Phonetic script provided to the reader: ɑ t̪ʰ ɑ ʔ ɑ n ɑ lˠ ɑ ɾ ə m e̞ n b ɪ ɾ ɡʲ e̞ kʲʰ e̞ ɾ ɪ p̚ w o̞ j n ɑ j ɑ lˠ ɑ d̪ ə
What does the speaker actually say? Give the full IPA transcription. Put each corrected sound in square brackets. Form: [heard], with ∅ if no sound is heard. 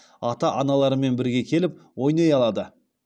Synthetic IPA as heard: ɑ [t̪] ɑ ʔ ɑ n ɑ lˠ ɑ ɾ ə m e̞ n b ɪ ɾ ɡʲ e̞ kʲʰ e̞ [l] ɪ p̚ w o̞ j n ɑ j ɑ lˠ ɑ d̪ ə